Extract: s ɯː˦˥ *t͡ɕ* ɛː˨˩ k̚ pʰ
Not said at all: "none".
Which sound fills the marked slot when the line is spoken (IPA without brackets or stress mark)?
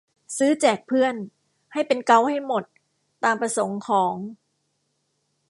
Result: t͡ɕ